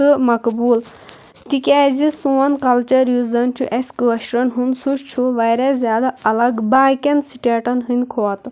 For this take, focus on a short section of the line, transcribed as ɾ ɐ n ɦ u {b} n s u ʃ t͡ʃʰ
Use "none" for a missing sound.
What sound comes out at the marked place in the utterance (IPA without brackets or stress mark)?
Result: none